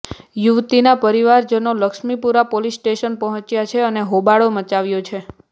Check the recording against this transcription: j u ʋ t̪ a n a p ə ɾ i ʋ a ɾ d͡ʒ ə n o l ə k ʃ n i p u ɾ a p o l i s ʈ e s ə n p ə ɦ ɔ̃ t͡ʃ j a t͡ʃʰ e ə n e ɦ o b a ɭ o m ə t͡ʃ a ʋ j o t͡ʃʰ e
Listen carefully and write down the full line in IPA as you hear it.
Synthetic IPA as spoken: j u ʋ t̪ i n a p ə ɾ i ʋ a ɾ d͡ʒ ə n o l ə k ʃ m i p u ɾ a p o l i s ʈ e ʃ ə n p ə ɦ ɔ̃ t͡ʃ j a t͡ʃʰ e ə n e ɦ o b a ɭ o m ə t͡ʃ a ʋ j o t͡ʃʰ e

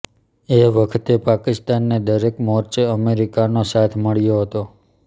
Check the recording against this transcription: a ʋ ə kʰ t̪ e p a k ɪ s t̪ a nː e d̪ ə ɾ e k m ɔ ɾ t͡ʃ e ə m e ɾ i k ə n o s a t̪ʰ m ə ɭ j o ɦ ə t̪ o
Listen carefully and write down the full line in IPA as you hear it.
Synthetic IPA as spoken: e ʋ ə kʰ t̪ e p a k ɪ s t̪ a nː e d̪ ə ɾ e k m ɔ ɾ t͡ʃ e ə m e ɾ i k a n o s a t̪ʰ m ə ɭ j o ɦ ə t̪ o

